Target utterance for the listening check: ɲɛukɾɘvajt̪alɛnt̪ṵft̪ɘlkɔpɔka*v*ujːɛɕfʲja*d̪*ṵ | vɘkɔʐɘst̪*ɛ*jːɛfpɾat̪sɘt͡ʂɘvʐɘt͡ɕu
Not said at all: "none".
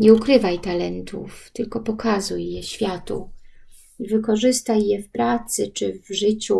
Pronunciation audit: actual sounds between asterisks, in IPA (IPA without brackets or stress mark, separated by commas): z, t̪, a